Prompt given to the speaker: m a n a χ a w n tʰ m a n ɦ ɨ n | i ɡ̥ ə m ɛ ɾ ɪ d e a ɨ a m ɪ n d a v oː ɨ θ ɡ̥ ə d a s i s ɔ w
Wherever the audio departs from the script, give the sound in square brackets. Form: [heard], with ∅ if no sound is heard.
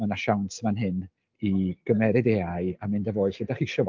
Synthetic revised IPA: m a n a [ʃ] a w n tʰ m a n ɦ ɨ n | i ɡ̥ ə m ɛ ɾ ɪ d e a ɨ a m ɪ n d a v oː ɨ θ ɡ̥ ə d a [χ] i [ʃ] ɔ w